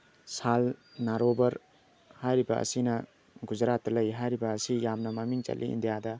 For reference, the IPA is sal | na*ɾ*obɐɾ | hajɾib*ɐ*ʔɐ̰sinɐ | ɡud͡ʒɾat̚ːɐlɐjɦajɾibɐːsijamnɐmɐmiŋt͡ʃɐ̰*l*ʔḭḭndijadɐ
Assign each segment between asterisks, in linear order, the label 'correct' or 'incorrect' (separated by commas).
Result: correct, correct, correct